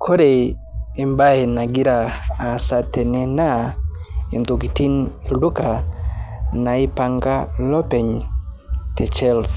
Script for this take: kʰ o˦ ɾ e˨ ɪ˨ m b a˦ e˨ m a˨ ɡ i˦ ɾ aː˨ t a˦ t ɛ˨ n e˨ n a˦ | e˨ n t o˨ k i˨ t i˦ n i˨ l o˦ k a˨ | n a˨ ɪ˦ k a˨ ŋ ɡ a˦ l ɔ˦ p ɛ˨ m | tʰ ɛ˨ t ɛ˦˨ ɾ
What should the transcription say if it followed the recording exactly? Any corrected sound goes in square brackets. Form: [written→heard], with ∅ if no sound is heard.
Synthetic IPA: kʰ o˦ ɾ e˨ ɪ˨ m b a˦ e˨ [m→n] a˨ ɡ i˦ ɾ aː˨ [t→s] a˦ t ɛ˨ n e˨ n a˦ | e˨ n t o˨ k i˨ t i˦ n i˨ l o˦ k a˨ | n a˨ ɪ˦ [k→p] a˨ ŋ ɡ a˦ l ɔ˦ p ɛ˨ [m→ɲ] | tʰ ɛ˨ [t→t͡ʃ] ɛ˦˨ [ɾ→l]